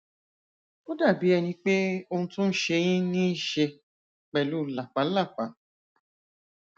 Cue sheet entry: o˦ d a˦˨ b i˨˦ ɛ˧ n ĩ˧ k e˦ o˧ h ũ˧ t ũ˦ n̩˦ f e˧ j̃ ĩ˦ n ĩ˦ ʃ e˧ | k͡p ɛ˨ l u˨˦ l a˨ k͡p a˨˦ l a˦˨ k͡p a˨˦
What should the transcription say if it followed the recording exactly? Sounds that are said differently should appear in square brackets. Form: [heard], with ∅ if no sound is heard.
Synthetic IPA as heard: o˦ d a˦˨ b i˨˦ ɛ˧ n ĩ˧ [k͡p] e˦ o˧ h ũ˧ t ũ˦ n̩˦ [ʃ] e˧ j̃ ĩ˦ n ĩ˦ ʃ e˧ | k͡p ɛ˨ l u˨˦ l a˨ k͡p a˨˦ l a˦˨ k͡p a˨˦